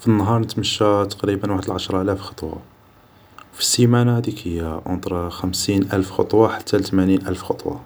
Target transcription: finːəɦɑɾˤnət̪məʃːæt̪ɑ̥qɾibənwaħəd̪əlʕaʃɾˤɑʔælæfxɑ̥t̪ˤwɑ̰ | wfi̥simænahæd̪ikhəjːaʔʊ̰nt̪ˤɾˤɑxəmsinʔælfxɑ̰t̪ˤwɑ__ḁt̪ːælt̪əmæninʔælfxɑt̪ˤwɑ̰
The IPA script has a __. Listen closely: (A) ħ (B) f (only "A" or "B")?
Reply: A